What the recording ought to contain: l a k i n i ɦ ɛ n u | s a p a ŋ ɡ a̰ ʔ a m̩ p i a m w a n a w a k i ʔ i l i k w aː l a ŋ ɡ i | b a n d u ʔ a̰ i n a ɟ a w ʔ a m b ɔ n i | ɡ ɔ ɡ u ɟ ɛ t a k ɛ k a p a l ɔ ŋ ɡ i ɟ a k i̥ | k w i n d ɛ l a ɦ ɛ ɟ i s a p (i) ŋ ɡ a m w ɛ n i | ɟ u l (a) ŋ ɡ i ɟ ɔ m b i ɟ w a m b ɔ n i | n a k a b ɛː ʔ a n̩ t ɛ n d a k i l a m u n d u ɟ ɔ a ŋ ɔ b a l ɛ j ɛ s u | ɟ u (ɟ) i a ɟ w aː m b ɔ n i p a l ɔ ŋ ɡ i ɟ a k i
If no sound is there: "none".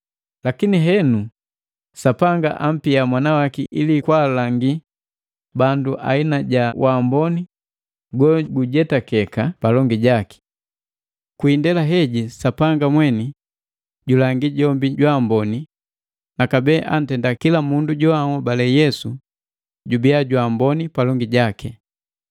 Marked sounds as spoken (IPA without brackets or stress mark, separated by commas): a, a, b